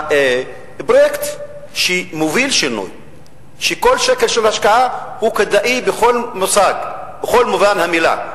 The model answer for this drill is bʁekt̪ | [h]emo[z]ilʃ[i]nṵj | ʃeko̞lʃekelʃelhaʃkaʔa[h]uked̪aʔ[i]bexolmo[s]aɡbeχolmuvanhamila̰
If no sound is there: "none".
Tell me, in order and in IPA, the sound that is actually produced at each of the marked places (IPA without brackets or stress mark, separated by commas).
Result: ʃ, v, i, h, i, s